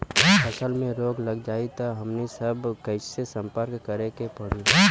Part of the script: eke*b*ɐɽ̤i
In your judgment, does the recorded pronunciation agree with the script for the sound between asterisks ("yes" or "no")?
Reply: no